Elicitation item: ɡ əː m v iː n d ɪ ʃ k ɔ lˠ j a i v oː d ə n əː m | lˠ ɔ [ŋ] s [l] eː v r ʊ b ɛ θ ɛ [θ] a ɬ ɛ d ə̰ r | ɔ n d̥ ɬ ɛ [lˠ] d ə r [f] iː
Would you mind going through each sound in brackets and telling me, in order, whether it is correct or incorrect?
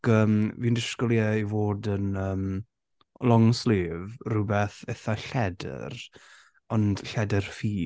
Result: correct, correct, correct, incorrect, correct

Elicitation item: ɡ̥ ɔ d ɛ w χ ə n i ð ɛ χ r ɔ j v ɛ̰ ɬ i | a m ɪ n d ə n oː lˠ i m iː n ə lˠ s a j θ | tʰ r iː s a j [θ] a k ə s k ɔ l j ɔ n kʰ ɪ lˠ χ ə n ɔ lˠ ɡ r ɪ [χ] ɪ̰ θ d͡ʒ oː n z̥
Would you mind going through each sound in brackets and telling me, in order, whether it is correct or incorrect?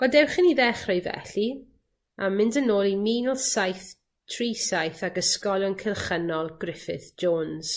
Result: correct, incorrect

